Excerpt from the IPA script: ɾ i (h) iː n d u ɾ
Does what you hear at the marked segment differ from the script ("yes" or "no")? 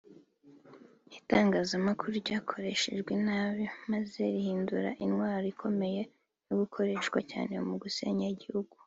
no